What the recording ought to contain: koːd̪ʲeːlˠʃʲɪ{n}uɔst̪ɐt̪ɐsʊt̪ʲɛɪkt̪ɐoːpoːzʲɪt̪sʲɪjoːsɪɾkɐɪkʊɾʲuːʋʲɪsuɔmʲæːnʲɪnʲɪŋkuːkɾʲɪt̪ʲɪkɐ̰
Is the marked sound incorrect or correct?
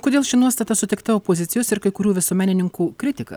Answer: correct